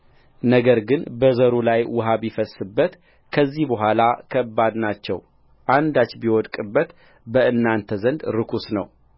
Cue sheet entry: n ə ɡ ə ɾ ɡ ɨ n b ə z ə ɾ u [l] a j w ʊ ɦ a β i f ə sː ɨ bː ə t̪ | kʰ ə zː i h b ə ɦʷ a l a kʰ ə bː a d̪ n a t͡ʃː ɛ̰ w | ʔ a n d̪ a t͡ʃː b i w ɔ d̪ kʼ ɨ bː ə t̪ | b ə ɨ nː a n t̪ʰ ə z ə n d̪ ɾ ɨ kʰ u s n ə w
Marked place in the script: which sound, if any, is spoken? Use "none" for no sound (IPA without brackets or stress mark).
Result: l